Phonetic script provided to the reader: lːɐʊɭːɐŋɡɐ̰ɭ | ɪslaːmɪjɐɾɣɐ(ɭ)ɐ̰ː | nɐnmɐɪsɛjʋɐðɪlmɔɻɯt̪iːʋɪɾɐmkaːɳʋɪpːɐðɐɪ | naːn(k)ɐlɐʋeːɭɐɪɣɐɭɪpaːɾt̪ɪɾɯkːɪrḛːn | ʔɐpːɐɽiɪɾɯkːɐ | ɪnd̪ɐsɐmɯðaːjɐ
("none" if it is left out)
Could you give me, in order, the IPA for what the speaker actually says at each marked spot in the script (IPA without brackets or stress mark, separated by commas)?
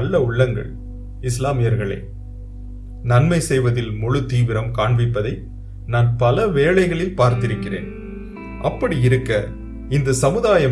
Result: ɭ, p